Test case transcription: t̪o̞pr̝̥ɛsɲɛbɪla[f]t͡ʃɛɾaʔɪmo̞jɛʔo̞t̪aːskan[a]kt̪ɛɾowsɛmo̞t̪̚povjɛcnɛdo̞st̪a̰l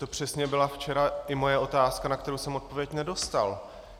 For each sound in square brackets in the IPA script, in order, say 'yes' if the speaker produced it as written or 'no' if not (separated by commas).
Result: yes, yes